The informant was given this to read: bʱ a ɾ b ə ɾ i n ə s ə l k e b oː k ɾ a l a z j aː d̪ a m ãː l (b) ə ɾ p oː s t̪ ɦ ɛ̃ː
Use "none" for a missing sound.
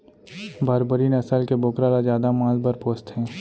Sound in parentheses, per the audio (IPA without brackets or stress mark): b